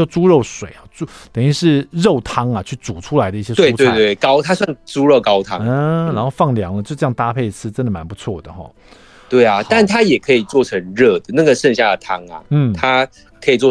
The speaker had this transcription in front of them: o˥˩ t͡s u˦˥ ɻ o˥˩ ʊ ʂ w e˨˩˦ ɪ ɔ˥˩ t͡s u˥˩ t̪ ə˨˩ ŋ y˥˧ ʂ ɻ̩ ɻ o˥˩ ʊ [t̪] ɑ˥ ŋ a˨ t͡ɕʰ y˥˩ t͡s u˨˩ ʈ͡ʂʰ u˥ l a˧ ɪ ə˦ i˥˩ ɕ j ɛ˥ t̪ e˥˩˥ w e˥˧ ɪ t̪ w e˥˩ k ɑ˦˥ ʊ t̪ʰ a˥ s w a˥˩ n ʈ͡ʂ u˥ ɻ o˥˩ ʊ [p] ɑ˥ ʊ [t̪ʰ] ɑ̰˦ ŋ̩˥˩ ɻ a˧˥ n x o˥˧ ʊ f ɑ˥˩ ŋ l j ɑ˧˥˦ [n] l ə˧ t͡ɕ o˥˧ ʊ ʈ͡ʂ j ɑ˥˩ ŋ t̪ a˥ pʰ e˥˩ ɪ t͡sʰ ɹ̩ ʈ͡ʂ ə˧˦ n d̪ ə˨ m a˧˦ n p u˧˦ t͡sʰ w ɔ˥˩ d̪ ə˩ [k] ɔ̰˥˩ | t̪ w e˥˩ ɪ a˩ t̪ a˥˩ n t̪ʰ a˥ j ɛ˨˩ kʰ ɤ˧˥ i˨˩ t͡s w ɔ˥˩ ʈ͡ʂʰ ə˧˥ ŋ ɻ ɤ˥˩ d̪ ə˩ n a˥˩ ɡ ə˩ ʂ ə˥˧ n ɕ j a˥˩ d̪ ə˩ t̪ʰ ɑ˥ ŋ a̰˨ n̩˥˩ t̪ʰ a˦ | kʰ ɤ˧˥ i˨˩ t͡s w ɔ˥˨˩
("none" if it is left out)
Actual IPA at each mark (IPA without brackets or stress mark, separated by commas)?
t̪ʰ, k, t̪ʰ, ŋ, x